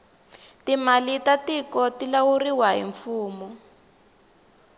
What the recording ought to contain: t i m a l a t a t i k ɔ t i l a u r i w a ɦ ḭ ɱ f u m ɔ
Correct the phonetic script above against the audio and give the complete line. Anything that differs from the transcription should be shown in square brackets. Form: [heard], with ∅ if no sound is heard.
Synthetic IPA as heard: t i m a l [i] t a t i k ɔ t i l a u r i w a ɦ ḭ ɱ f [uː] m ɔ